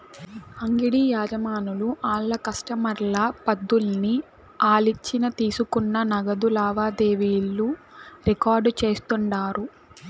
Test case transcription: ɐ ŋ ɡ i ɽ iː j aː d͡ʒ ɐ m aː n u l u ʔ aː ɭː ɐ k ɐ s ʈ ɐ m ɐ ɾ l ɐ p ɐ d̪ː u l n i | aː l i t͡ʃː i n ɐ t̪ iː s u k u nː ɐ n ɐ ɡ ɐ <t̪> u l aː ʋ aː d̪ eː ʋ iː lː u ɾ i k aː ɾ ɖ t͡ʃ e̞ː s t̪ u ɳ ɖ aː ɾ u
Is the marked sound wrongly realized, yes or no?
yes